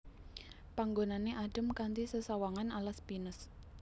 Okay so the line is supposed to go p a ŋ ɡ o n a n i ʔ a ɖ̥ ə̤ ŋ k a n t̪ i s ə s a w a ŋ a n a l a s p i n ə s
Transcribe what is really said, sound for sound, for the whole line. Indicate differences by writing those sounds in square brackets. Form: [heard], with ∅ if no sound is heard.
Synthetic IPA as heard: p a ŋ ɡ o n a n [e] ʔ a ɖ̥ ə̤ [m] k a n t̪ i s ə s a w a ŋ a n a l a s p i n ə s